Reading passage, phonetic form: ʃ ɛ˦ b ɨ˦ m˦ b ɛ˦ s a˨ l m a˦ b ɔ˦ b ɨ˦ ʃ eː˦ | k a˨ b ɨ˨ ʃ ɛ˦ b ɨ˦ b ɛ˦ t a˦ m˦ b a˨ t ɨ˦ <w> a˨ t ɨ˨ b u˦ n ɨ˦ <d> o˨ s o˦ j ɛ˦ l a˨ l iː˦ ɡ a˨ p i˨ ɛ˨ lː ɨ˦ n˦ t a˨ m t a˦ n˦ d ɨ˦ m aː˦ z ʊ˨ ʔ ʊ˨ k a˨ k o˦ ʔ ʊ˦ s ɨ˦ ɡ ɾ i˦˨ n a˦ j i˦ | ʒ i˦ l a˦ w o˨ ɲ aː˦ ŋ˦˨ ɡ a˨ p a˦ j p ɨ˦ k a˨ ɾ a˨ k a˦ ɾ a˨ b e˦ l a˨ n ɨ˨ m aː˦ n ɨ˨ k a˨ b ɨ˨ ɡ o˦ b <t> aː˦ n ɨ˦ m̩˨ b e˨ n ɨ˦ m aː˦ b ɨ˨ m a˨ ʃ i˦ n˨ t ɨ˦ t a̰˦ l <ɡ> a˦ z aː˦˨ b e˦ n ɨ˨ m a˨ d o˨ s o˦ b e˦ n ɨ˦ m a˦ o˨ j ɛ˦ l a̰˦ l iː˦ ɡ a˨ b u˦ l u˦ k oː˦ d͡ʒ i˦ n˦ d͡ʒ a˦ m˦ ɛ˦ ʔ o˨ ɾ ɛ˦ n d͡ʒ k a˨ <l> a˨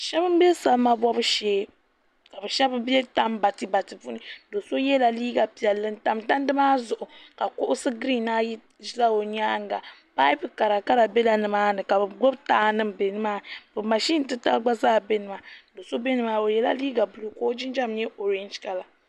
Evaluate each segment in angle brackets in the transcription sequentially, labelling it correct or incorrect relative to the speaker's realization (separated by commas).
incorrect, correct, correct, incorrect, correct